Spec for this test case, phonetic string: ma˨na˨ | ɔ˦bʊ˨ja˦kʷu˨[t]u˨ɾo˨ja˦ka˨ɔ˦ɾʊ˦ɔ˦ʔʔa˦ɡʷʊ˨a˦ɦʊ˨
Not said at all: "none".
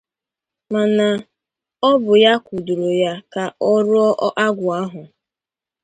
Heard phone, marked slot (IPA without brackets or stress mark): d